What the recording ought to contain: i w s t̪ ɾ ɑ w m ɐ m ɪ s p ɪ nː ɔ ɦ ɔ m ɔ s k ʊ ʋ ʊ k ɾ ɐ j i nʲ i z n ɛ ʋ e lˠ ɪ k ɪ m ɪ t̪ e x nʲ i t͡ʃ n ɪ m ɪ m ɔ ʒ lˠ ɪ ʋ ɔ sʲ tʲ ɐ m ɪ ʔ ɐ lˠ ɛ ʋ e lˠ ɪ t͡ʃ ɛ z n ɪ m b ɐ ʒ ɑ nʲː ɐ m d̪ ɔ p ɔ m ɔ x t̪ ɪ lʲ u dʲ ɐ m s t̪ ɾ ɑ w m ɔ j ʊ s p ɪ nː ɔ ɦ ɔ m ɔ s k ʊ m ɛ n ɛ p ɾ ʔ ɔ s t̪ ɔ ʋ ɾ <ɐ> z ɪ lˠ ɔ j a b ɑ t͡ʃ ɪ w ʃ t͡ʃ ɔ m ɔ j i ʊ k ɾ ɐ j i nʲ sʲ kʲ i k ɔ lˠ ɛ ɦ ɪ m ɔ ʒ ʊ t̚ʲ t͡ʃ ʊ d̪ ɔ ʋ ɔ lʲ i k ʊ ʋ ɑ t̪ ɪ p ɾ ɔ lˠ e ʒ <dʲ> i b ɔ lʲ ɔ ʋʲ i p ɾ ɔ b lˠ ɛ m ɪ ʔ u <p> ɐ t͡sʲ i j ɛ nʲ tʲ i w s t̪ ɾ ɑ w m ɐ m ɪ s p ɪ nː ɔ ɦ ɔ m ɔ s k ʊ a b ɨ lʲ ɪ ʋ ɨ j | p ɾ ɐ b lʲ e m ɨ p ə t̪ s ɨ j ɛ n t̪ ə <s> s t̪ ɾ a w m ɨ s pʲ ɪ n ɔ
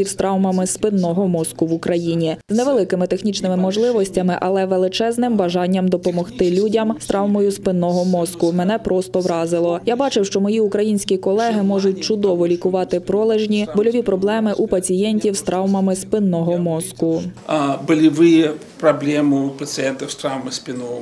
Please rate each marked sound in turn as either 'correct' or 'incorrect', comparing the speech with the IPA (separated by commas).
incorrect, incorrect, correct, incorrect